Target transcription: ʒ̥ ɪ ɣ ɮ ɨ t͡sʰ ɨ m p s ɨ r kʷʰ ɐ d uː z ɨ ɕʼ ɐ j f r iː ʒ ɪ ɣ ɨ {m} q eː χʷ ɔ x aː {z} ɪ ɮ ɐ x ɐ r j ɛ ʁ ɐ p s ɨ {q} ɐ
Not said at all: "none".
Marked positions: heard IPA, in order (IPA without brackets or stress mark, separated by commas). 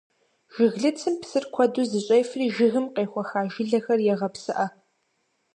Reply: m, ʒ, ʔ